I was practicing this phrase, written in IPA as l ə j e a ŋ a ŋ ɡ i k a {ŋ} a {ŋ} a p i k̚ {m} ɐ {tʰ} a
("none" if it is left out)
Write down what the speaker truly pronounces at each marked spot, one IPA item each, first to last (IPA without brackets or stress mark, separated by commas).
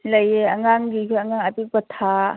ŋ, ŋ, b, tʰ